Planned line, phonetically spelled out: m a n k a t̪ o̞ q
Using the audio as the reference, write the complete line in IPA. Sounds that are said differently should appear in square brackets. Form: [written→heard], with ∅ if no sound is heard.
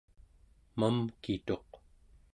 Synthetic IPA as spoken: m a [n→m] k [a→i] t̪ o̞ q